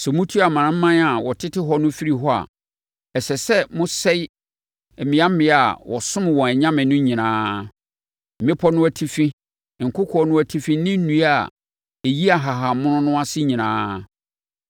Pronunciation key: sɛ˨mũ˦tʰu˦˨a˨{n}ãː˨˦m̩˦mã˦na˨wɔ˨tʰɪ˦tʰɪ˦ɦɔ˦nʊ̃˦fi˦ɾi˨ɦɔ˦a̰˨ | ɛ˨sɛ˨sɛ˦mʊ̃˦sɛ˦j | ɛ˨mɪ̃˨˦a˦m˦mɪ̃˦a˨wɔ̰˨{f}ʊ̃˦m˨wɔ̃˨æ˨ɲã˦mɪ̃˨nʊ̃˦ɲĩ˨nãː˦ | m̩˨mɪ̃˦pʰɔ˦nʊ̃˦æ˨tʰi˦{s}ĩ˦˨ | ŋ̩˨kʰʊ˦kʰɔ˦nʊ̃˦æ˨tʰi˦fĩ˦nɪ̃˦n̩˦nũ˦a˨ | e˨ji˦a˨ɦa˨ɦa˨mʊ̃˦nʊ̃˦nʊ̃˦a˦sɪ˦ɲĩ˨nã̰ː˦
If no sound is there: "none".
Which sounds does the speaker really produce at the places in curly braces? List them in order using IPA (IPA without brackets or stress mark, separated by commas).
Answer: m, s, f